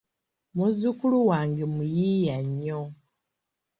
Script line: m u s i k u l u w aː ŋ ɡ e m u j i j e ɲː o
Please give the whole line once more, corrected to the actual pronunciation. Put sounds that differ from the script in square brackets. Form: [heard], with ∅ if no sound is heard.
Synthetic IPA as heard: m u [z] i k u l u w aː ŋ ɡ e m u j i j [a] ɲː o